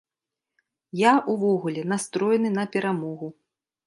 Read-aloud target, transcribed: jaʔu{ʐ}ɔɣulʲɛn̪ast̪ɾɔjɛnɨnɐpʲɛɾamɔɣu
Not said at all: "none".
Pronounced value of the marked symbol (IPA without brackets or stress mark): v